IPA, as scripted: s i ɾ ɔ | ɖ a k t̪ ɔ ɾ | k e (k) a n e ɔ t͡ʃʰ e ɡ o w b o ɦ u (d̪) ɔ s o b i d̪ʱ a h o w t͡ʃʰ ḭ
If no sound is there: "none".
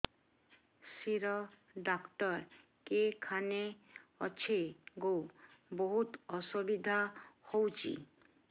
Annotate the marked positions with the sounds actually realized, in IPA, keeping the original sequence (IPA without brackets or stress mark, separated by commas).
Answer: kʰ, t̪